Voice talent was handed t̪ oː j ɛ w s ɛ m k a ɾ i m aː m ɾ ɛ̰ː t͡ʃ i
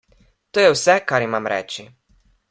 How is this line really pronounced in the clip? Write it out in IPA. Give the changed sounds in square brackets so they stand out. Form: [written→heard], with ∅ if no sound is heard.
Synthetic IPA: t̪ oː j ɛ w s ɛ [m→∅] k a ɾ i m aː m ɾ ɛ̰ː t͡ʃ i